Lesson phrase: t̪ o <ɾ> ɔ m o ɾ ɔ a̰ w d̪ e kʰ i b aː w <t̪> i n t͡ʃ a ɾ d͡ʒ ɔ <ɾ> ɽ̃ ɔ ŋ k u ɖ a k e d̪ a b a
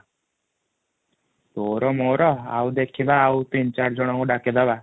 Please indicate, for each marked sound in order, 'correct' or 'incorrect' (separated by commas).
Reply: correct, correct, incorrect